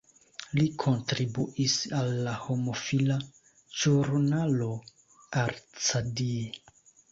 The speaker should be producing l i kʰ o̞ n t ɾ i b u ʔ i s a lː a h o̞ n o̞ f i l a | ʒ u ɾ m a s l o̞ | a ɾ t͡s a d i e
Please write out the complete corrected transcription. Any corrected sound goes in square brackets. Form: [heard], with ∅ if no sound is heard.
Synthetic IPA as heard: l i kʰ o̞ n t ɾ i b u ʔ i s a lː a h o̞ [m] o̞ f i l a | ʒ u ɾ [n] a [∅] l o̞ | a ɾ t͡s a d i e